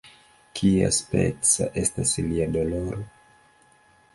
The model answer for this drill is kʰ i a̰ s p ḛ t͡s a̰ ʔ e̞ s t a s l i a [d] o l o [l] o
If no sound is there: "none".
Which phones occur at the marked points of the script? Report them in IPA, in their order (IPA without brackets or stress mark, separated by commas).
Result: d, ɾ